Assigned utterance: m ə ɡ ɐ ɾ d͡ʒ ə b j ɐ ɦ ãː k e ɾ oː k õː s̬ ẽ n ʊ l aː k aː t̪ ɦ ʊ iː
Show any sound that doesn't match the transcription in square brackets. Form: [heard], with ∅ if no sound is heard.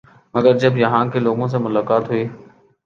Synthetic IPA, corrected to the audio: m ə ɡ [ə] ɾ d͡ʒ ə b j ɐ ɦ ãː k e [l] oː [ɡ] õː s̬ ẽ [m] ʊ l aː k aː t̪ ɦ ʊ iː